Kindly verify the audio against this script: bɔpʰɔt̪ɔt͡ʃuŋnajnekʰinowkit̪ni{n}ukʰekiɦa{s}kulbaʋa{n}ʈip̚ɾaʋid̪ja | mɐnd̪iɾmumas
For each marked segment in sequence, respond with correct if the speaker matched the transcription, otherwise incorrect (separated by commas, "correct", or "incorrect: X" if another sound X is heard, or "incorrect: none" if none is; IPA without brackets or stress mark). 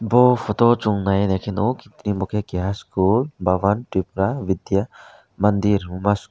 incorrect: m, correct, correct